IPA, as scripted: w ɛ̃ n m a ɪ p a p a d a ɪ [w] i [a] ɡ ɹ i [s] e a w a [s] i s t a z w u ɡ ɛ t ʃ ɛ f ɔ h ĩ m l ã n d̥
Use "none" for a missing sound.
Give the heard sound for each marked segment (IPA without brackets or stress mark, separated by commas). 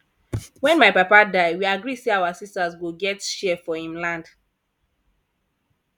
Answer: w, a, s, s